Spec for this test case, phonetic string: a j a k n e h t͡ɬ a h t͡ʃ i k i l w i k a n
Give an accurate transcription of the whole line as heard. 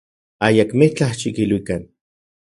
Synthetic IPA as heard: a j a k m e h t͡ɬ a h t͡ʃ i k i l w i k a n